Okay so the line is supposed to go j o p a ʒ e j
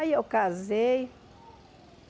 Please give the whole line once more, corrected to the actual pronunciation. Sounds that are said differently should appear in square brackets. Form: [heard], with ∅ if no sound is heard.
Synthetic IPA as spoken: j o [k] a [z] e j